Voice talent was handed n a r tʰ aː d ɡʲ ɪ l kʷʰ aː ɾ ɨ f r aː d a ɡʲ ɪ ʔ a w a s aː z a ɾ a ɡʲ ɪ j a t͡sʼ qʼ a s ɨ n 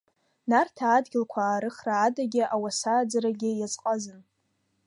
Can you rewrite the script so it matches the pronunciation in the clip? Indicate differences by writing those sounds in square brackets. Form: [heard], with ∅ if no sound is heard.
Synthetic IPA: n a r tʰ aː d ɡʲ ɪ l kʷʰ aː ɾ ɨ [χ] r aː d a ɡʲ ɪ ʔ a w a s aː [d͡z] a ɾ a ɡʲ ɪ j a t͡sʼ qʼ a [z] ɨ n